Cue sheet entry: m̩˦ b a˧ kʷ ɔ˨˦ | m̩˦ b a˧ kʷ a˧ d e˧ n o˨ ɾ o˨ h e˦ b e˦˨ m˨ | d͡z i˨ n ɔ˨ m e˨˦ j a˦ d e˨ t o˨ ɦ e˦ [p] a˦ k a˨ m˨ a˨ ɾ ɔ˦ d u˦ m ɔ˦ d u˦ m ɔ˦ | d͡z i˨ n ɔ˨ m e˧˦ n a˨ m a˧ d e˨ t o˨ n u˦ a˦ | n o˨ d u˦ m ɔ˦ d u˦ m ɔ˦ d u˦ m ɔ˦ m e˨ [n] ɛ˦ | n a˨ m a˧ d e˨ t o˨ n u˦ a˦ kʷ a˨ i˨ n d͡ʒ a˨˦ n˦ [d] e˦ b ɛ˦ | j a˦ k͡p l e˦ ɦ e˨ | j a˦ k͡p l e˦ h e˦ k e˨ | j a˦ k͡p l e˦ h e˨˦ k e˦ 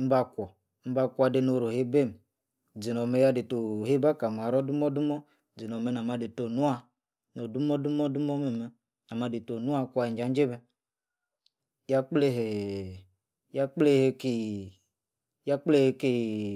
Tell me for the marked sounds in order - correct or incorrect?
incorrect, incorrect, incorrect

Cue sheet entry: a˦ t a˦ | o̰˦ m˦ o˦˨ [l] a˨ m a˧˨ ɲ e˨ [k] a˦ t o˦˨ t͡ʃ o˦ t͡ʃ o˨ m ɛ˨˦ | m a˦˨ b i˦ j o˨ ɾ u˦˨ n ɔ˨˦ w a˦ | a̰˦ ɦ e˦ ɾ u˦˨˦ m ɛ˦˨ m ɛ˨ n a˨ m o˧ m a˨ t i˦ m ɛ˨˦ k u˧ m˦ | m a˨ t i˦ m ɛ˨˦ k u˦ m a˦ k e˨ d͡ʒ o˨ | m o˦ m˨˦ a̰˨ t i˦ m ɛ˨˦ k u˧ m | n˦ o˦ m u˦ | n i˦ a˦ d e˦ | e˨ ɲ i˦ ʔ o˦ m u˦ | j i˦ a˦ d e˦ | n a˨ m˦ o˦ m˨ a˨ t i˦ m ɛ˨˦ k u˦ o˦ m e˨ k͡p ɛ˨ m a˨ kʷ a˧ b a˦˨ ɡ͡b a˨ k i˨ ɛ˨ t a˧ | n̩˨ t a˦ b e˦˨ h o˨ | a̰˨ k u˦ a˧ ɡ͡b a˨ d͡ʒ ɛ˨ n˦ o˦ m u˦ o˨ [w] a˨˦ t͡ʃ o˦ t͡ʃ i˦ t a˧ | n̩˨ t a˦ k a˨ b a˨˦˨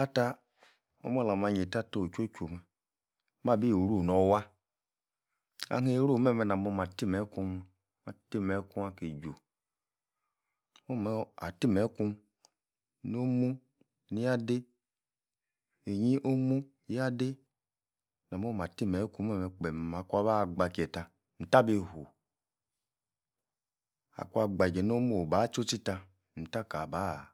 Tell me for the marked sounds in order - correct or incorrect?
correct, incorrect, incorrect

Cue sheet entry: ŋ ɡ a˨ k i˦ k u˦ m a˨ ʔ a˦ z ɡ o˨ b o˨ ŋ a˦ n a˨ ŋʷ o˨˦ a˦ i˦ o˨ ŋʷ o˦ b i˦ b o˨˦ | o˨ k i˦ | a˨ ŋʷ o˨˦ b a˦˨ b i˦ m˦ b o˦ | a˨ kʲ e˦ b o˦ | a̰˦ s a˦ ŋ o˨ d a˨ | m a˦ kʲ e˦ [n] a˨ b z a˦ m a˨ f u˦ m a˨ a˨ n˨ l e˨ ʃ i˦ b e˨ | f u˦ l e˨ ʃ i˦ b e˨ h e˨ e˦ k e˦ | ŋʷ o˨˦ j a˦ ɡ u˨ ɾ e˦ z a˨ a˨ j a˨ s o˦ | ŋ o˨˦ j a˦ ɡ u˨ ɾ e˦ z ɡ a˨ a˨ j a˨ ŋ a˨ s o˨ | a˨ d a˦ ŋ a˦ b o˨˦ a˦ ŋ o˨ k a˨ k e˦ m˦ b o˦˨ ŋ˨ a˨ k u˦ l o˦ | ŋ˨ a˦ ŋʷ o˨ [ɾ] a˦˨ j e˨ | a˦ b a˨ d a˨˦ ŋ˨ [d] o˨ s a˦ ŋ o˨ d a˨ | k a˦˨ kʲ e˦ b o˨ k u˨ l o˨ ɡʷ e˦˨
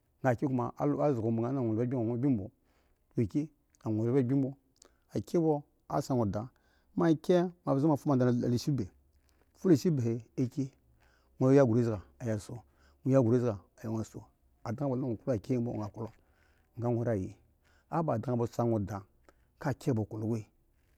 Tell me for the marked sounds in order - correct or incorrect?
incorrect, correct, incorrect

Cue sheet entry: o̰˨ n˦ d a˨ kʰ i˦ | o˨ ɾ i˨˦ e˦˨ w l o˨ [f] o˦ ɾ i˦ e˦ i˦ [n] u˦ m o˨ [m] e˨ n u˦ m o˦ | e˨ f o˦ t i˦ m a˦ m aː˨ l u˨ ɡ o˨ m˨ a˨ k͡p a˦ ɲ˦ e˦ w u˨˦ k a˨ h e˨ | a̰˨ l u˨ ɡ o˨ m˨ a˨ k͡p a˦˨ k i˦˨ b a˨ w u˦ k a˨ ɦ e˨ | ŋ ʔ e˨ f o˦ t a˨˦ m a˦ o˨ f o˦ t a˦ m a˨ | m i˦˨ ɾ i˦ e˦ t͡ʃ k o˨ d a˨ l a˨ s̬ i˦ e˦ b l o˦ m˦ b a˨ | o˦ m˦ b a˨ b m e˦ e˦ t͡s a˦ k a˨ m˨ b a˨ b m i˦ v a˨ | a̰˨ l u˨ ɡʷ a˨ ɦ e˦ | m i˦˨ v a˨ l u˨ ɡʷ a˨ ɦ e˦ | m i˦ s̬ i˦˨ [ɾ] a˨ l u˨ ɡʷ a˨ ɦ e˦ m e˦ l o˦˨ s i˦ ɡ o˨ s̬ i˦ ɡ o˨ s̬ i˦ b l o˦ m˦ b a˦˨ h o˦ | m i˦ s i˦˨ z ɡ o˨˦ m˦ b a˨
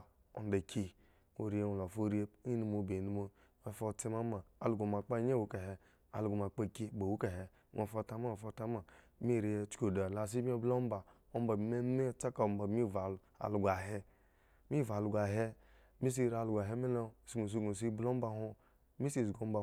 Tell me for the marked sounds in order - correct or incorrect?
correct, correct, incorrect, correct

